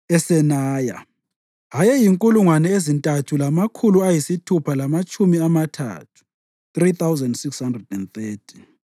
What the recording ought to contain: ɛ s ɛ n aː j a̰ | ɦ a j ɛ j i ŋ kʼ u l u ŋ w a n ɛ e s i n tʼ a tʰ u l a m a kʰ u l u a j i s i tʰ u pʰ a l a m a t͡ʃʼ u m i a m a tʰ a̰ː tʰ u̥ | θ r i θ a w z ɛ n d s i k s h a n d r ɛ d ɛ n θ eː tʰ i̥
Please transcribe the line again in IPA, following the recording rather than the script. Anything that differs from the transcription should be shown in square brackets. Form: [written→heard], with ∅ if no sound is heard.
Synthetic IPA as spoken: ɛ s ɛ n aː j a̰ | ɦ a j ɛ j i ŋ kʼ u l u ŋ w a n ɛ e [s→z] i n tʼ a tʰ u l a m a kʰ u l u a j i s i tʰ u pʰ a l a m a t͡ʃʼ u m i a m a tʰ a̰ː tʰ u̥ | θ r i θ a w z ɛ n d s i k s h a n d r ɛ d ɛ n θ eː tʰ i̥

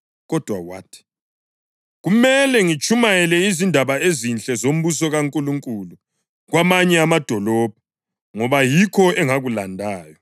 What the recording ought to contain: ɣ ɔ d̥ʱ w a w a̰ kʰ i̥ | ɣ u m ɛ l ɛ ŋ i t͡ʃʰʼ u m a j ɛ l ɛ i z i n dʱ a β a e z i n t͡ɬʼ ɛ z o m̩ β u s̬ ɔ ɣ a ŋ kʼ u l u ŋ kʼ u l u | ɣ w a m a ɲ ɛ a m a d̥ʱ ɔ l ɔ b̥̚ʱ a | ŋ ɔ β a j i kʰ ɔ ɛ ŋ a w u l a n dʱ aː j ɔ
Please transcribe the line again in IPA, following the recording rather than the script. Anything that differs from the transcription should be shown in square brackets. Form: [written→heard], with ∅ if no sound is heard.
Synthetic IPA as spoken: ɣ ɔ d̥ʱ w a w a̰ [kʰ→tʰ] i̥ | ɣ u m ɛ l ɛ ŋ i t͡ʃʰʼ u m a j ɛ l ɛ i z i n dʱ a β a e z i n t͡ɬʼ ɛ z o m̩ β u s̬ ɔ ɣ a ŋ kʼ u l u ŋ kʼ u l u | ɣ w a m a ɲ ɛ a m a d̥ʱ ɔ l ɔ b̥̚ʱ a | ŋ ɔ β a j i kʰ ɔ ɛ ŋ a [w→ɣ] u l a n dʱ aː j ɔ

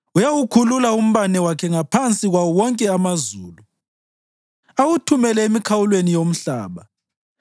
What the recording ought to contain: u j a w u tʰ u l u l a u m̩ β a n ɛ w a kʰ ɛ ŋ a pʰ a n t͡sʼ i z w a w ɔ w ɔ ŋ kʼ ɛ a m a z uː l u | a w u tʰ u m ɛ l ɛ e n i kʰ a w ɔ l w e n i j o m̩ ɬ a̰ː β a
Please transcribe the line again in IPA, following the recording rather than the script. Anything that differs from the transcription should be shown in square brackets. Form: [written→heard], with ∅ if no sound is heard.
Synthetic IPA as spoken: u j a w u [tʰ→kʰ] u l u l a u m̩ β a n ɛ w a kʰ ɛ ŋ a pʰ a n t͡sʼ i [z→ɣ] w a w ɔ w ɔ ŋ kʼ ɛ a m a z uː l u | a w u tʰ u m ɛ l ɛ e [n→m] i kʰ a w [ɔ→u] l w e n i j o m̩ ɬ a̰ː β a

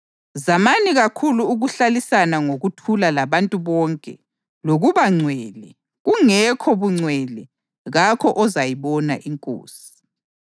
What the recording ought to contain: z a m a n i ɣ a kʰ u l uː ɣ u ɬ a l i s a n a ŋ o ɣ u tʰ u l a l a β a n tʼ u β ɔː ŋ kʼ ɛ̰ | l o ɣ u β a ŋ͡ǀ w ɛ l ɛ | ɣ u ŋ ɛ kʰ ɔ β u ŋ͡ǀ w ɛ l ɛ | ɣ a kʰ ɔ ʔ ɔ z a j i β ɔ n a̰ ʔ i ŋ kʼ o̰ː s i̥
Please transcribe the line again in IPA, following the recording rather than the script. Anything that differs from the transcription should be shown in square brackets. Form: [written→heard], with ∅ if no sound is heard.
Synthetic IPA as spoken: z a m a n i ɣ a kʰ u l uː ɣ u ɬ a l i s a n a ŋ o ɣ u tʰ u l a l a β a n tʼ u β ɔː ŋ kʼ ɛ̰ | l o ɣ u β a ŋ͡ǀ w ɛ l ɛ | ɣ u ŋ ɛ kʰ ɔ β u ŋ͡ǀ w ɛ l ɛ | ɣ a kʰ ɔ ʔ ɔ z a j i β ɔ n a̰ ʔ i ŋ kʼ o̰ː s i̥

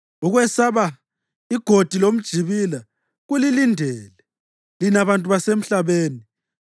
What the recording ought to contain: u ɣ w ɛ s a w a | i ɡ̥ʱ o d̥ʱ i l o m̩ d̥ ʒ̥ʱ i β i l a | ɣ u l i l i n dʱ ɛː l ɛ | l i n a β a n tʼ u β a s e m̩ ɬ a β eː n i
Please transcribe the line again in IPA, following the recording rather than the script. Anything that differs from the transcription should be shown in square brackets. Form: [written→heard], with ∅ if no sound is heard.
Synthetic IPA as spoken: u ɣ w ɛ s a [w→β] a | i ɡ̥ʱ o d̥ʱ i l o m̩ d̥ ʒ̥ʱ i β i l a | ɣ u l i l i n dʱ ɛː l ɛ | l i n a β a n tʼ u β a s e m̩ ɬ a β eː n i

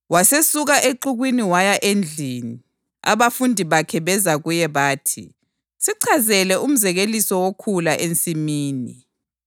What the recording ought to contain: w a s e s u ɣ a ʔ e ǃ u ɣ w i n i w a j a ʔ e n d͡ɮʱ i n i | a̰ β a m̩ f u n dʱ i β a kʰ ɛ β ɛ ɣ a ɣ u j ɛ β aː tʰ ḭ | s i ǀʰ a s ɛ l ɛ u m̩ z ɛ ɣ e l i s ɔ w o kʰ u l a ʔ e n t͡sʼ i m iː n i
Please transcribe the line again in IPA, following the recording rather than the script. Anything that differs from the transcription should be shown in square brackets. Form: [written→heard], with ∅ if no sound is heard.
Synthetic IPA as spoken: w a s e s u ɣ a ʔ e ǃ u ɣ w i n i w a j a ʔ e n d͡ɮʱ i n i | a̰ β a [m̩→∅] f u n dʱ i β a kʰ ɛ β ɛ [ɣ→z] a ɣ u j ɛ β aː tʰ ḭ | s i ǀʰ a [s→z] ɛ l ɛ u m̩ z ɛ ɣ e l i s ɔ w o kʰ u l a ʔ e n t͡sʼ i m iː n i

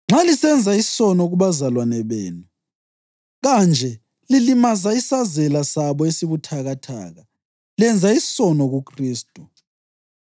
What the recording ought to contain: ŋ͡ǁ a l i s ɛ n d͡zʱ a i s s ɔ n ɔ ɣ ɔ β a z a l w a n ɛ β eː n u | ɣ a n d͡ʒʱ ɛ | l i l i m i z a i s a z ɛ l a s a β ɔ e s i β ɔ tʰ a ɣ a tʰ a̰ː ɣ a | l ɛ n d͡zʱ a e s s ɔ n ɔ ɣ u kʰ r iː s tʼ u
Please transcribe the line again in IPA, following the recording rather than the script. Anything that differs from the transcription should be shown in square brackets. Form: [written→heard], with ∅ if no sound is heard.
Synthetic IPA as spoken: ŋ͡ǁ a l i s ɛ n d͡zʱ a i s s ɔ n ɔ ɣ [ɔ→u] β a z a l w a n ɛ β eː n u | ɣ a n d͡ʒʱ ɛ | l i l i m [i→a] z a i s a z ɛ l a s a β ɔ e s i β [ɔ→u] tʰ a ɣ a tʰ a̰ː ɣ a | l ɛ n d͡zʱ a [e→i] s s ɔ n ɔ ɣ u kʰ r iː s tʼ u

